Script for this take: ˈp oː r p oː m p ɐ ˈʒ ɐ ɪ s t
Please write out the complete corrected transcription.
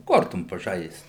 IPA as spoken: ˈk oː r t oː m p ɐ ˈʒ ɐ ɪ s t